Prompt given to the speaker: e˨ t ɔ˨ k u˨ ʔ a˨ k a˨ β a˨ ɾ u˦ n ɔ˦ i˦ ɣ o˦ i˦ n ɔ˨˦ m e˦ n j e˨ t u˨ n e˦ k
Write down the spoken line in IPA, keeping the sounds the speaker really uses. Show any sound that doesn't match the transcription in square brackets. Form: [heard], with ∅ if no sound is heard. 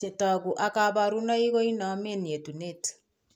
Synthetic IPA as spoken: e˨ t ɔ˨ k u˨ ʔ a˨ k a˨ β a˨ ɾ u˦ n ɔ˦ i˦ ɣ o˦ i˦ n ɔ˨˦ m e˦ n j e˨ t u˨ n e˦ [t]